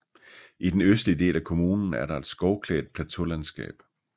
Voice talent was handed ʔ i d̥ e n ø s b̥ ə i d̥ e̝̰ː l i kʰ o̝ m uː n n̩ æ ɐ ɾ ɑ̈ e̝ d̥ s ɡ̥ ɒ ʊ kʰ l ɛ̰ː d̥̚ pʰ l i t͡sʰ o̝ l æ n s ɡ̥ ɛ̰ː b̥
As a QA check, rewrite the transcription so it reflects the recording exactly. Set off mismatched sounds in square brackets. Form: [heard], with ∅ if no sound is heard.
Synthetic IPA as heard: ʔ i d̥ e n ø s [d̥] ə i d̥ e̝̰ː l [æ] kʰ o̝ m uː n n̩ æ ɐ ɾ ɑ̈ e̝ d̥ s ɡ̥ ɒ ʊ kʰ l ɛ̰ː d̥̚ pʰ l [æ] t͡sʰ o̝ l æ n s ɡ̥ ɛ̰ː b̥